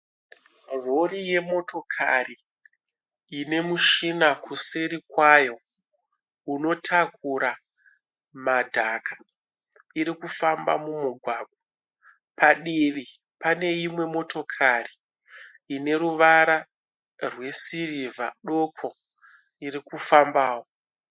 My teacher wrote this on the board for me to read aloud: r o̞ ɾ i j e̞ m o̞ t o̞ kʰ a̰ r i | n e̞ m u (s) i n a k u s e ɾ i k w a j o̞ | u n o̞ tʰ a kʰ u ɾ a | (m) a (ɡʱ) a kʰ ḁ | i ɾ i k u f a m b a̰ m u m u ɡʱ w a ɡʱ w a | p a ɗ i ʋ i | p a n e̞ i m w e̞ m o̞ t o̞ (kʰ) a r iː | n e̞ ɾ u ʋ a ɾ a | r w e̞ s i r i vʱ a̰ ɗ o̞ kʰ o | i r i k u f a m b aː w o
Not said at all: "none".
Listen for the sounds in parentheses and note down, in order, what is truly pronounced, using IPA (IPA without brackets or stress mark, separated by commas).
ʃ, m, dʱ, kʰ